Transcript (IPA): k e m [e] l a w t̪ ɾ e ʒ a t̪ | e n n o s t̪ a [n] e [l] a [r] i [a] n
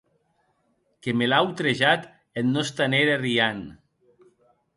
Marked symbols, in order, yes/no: yes, yes, no, yes, yes

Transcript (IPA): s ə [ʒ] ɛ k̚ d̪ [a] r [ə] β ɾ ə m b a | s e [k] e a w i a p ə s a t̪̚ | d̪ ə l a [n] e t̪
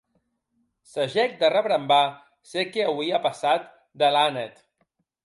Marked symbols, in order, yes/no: yes, no, yes, yes, yes

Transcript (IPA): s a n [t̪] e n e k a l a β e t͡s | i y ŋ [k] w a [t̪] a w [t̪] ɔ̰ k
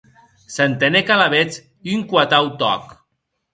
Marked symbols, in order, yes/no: yes, yes, yes, yes

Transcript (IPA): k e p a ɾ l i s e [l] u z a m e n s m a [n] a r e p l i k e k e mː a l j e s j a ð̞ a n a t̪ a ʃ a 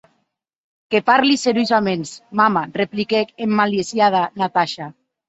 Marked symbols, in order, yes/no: no, no

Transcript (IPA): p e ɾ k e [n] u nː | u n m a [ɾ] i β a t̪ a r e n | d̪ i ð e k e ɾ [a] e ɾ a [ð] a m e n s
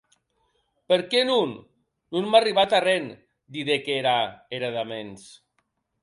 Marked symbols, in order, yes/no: yes, no, yes, yes

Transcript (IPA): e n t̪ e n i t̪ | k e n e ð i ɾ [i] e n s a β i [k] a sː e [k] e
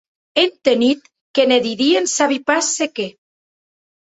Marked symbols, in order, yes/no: yes, no, yes

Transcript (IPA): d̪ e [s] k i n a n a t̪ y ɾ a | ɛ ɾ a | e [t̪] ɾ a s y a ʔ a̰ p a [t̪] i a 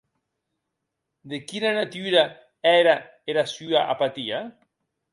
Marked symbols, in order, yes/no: no, no, yes

